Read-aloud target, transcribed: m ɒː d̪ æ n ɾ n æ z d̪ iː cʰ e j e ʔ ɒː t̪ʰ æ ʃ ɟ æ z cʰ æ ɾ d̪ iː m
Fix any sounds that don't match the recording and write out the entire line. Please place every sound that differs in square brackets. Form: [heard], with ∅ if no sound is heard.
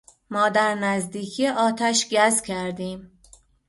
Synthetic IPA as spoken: m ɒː d̪ æ [∅] ɾ n æ z d̪ iː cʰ [i] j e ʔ ɒː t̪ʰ æ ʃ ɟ æ z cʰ æ ɾ d̪ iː m